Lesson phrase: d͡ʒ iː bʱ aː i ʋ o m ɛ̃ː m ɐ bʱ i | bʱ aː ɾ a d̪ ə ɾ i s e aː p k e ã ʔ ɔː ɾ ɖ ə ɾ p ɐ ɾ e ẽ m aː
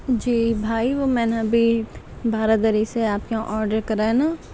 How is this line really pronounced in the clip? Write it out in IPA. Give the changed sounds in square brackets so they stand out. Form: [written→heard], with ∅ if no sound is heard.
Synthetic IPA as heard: d͡ʒ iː bʱ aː i ʋ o m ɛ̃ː [m→n] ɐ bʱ i | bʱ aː ɾ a d̪ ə ɾ i s e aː p k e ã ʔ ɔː ɾ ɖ ə ɾ [p→k] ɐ ɾ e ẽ [m→n] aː